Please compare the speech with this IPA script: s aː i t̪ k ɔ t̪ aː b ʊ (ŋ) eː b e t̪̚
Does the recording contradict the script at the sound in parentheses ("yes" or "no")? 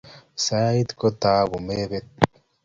yes